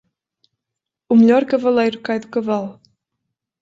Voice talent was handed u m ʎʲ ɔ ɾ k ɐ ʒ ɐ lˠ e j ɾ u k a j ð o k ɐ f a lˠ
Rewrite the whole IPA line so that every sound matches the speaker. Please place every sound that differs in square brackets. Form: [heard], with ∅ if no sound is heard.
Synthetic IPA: u m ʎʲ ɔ ɾ k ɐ [v] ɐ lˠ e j ɾ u k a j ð [u] k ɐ [v] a lˠ